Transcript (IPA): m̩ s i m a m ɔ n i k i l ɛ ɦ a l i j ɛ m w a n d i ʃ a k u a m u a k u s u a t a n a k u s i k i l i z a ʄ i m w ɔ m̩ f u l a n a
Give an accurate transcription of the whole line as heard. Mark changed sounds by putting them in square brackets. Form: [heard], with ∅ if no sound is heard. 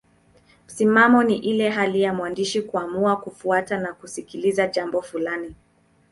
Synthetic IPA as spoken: m̩ s i m a m ɔ n i [ʔ] i l ɛ ɦ a l i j [a] m w a n d i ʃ [i] k u a m u a k u [f] u a t a n a k u s i k i l i z a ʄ [a] m [b] ɔ [∅] f u l a n [i]